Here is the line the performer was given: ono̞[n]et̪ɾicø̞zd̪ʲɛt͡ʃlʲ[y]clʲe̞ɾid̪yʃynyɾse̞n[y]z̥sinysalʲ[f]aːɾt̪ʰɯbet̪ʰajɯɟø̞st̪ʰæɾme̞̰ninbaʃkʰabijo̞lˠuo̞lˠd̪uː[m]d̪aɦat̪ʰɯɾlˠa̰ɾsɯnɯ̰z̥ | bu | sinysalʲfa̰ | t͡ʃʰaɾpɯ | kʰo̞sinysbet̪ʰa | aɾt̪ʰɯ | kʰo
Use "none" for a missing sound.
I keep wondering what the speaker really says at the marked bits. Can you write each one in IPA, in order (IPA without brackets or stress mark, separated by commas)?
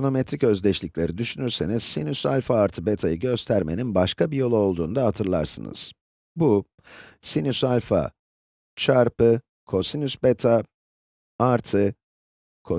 m, i, i, f, n